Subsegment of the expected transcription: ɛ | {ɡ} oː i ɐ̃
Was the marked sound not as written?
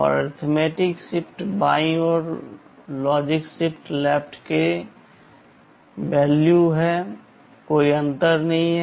yes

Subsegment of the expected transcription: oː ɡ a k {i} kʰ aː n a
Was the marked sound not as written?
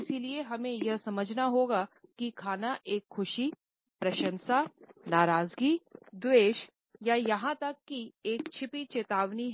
no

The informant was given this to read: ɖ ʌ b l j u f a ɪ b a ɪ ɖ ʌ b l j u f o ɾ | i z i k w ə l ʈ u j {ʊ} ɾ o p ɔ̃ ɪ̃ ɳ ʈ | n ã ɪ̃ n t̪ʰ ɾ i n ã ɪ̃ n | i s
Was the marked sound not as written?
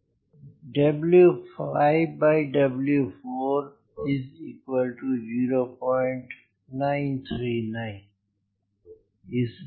yes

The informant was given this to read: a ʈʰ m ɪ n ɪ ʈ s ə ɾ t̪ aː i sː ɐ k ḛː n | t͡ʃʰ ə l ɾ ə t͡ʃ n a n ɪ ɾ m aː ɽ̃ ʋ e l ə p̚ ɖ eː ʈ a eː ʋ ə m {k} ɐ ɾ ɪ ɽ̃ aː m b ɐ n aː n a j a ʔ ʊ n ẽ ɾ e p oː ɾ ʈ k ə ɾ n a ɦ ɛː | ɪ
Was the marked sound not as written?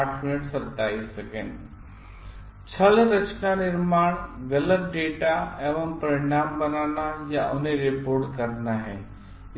yes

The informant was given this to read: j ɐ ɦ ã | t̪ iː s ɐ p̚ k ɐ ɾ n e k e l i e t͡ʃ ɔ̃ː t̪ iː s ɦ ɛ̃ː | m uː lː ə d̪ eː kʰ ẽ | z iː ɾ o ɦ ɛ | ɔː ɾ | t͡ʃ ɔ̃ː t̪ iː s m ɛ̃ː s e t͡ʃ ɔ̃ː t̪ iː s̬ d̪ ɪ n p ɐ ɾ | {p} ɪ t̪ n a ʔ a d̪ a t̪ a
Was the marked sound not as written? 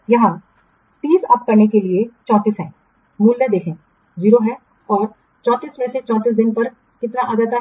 yes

